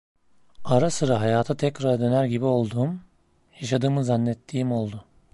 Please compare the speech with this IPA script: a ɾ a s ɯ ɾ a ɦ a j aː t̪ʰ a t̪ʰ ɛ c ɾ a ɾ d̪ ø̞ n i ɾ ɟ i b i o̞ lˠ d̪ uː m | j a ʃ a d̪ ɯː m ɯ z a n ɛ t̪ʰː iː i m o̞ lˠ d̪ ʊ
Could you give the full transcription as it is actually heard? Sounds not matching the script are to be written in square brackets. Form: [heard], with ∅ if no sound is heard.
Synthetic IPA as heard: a ɾ a s ɯ ɾ a ɦ a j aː t̪ʰ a t̪ʰ ɛ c ɾ a ɾ d̪ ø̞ n [æ] ɾ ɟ i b i o̞ lˠ d̪ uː m | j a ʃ a d̪ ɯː m ɯ z a [nː] ɛ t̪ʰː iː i m o̞ lˠ d̪ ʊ